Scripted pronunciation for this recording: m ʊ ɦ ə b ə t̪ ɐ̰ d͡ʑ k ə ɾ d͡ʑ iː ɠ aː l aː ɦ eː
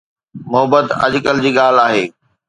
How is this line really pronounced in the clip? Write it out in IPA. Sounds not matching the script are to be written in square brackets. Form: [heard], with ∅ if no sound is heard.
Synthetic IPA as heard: m ʊ ɦ ə b ə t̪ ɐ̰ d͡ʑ k ə [l] d͡ʑ iː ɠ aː l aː ɦ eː